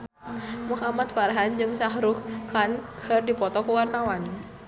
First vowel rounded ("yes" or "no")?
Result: yes